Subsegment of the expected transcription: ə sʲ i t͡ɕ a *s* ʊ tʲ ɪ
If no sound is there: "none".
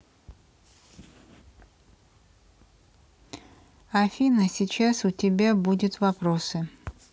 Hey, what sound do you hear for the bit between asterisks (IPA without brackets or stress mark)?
s